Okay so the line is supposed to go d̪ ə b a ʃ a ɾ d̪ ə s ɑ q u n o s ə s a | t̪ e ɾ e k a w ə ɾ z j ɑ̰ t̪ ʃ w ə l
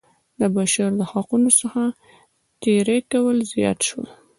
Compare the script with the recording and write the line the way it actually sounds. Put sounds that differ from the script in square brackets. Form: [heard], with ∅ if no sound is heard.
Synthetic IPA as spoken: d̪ ə b a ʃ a ɾ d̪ ə [h] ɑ q u n o s ə [x] a | t̪ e ɾ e k a w ə [l] z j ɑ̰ t̪ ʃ w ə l

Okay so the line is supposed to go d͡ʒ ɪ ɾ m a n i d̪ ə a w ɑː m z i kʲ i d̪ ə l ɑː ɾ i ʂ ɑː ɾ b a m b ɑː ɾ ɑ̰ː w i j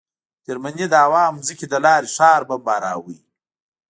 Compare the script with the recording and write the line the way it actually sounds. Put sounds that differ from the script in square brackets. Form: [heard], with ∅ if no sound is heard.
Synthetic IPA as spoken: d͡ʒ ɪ ɾ m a n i d̪ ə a w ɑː m z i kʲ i d̪ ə l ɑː ɾ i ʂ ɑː ɾ b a m b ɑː ɾ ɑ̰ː w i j

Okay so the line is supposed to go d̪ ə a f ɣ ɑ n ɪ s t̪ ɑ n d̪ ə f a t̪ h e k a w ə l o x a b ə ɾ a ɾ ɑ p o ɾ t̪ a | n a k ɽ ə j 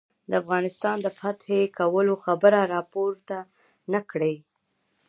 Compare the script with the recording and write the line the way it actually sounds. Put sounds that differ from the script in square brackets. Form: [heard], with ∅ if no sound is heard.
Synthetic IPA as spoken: d̪ ə a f ɣ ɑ n ɪ s t̪ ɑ n d̪ ə f a t̪ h e k a w ə l o x a b ə ɾ a ɾ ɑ p o ɾ t̪ a | n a k ɽ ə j

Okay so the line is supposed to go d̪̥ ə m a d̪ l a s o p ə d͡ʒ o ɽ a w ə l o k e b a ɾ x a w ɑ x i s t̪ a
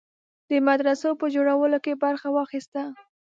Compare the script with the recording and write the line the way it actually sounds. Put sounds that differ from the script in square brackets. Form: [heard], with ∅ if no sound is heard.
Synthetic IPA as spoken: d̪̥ ə m a d̪ [ɾ] a s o p ə d͡ʒ o ɽ a w ə l o k e b a ɾ x a w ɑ x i s t̪ a

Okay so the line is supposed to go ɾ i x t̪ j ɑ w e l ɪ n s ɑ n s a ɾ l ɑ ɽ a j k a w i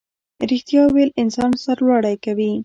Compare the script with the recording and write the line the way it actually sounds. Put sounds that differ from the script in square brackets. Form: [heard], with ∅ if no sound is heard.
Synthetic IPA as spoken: ɾ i x t̪ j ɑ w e l ɪ n s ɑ n s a ɾ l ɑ ɽ a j k a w i

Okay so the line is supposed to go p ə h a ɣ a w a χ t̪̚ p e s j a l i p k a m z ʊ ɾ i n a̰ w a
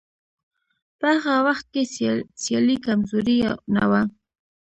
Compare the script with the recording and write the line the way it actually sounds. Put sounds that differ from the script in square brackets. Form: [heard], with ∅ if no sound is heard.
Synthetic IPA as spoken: p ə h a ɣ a w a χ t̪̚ [k] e s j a l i [∅] k a m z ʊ ɾ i n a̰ w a

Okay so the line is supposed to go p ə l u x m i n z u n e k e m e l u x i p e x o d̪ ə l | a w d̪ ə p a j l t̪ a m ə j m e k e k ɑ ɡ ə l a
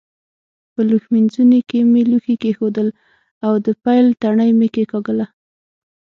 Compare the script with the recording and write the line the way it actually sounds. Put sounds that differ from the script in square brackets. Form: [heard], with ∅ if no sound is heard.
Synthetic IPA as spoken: p ə l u x m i n z u n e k e m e l u x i [k] e x o d̪ ə l | a w d̪ ə p a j l t̪ a [ɳ] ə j m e k e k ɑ ɡ ə l a

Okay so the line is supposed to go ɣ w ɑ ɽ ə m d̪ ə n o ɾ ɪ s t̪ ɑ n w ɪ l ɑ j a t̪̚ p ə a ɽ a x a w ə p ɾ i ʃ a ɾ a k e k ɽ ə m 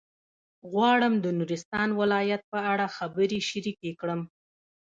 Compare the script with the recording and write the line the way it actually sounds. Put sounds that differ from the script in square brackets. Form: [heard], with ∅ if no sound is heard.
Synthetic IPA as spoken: ɣ w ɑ ɽ ə m d̪ ə n [u] ɾ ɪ s t̪ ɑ n w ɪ l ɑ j a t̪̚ p ə a ɽ a x a [b] ə [∅] ɾ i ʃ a ɾ [i] k e k ɽ ə m

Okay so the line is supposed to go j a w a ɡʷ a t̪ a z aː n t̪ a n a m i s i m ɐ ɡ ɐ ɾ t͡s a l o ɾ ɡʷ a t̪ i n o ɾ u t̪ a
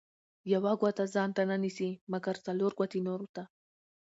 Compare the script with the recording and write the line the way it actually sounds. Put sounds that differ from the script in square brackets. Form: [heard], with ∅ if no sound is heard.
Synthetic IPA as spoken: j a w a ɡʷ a t̪ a z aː n t̪ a n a [n] i s i m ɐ ɡ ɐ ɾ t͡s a l o ɾ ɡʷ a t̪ i n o ɾ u t̪ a

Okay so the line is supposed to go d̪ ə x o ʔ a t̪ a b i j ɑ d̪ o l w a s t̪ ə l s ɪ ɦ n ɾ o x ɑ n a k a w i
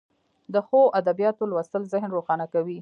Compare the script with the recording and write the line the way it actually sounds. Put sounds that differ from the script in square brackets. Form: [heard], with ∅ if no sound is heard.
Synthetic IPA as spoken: d̪ ə x o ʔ a [d̪] a b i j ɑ [t̪] o l w a s t̪ ə l [z] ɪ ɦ n ɾ o x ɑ n a k a w i

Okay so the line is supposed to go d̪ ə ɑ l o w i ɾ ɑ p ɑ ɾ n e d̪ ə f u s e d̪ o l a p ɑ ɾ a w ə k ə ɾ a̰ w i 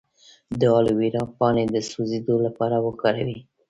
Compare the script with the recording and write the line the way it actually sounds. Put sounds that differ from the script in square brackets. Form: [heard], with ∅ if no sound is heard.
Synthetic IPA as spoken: d̪ ə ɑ l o w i ɾ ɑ p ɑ [∅] n e d̪ ə [s] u [z] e d̪ o l a p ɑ ɾ a w ə k [ɑ] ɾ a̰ w i

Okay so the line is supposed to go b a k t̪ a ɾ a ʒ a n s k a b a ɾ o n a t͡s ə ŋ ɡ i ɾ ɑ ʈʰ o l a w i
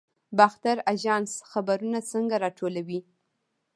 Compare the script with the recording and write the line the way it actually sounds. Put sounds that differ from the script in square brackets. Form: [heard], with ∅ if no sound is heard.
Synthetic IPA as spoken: b a [x] t̪ a ɾ a ʒ [ɑ] n s [x] a b a ɾ [u] n a t͡s ə ŋ ɡ [a] ɾ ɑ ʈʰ o l a w i

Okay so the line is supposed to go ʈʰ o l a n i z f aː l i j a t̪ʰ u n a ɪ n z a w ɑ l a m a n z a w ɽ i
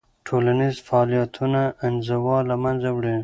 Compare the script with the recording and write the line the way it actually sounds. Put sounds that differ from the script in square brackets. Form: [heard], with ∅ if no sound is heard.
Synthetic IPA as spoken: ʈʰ o l a n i z f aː l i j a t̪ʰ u n a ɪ n z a w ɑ l a m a n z a w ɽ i

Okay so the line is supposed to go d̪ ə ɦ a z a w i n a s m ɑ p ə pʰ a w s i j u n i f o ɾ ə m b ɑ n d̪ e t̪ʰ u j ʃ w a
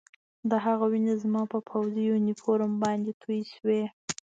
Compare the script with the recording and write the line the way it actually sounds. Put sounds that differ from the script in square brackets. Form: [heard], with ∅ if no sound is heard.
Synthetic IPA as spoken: d̪ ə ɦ a [ɣ] a w i n a [z] m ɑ p ə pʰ a w [z] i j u n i f o ɾ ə m b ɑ n d̪ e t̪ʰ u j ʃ w [e]

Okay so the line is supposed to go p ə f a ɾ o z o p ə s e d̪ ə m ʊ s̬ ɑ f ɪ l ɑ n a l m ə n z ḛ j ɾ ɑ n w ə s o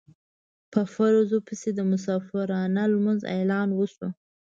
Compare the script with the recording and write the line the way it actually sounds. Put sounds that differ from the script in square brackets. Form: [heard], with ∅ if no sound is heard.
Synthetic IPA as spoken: p ə f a ɾ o z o p ə s e d̪ ə m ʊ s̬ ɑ f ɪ [ɾ] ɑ n a l m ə n z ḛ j [l] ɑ n w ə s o

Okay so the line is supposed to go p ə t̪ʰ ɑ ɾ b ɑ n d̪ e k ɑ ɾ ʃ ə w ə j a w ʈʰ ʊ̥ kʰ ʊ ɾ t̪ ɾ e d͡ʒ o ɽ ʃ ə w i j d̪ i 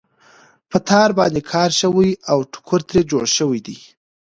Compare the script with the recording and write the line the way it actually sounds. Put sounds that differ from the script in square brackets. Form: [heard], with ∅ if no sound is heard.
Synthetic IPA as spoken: p ə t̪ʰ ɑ ɾ b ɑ n d̪ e [kʰ] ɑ ɾ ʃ ə w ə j a w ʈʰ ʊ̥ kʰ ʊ ɾ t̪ ɾ e d͡ʒ o ɽ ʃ ə w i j d̪ i

